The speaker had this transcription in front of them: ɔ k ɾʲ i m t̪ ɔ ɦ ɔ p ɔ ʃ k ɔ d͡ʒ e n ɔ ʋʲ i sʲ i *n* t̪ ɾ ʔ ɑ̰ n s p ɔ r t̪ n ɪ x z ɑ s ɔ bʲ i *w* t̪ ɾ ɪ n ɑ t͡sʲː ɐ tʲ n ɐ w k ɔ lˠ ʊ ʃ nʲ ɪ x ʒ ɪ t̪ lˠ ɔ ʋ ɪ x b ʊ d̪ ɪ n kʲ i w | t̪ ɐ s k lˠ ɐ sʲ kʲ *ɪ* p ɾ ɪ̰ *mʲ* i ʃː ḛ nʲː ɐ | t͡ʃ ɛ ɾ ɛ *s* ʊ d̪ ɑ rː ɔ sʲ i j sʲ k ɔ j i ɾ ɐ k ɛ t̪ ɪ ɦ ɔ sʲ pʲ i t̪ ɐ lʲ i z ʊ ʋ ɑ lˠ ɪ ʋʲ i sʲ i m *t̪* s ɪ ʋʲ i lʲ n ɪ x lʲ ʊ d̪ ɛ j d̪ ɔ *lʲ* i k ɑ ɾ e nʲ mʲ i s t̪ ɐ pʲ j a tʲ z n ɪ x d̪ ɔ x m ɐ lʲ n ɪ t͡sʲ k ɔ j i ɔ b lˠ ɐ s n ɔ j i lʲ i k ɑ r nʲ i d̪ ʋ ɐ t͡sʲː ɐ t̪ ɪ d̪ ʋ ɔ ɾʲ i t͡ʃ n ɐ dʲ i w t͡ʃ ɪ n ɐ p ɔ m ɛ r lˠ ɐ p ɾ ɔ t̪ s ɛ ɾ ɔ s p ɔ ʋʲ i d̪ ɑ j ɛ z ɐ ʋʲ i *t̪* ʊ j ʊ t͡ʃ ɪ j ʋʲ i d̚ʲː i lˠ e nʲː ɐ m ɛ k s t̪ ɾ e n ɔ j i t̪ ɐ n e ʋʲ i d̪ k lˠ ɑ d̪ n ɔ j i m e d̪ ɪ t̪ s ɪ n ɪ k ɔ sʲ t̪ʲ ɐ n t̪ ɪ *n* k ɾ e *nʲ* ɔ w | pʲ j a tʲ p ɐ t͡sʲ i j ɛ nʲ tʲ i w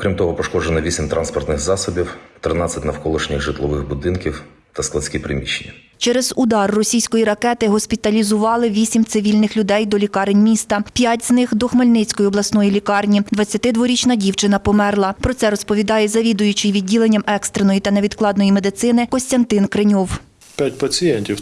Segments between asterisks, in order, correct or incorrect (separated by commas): incorrect, correct, incorrect, correct, incorrect, correct, correct, incorrect, correct, correct